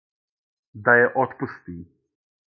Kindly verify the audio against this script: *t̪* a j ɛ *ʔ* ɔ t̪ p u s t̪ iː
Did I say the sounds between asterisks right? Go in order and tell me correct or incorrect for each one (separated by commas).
incorrect, correct